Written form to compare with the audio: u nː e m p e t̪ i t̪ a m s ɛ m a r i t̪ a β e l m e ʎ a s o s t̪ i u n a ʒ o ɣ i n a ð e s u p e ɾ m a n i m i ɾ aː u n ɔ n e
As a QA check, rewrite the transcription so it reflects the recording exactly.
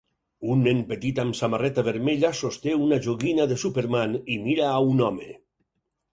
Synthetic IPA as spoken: u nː e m p e t̪ i t̪ a m s a m a r ɛ t̪ a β e ɾ m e ʎ a s o s t̪ e u n a ʒ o ɣ i n a ð e s u p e ɾ m a n i m i ɾ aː u n ɔ m e